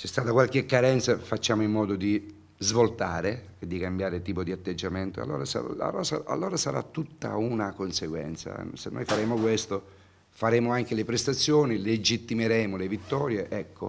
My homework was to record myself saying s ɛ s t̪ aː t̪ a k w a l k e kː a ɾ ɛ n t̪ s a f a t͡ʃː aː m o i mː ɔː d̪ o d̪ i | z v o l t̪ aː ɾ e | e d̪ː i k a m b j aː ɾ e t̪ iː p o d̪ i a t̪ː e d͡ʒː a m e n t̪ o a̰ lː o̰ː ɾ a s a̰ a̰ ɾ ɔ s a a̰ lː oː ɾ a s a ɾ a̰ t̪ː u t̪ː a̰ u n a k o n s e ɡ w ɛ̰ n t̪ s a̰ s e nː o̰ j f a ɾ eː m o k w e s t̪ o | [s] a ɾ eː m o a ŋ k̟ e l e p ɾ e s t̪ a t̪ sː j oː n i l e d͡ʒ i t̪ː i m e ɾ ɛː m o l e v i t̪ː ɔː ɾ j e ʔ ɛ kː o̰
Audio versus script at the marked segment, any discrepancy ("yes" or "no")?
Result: yes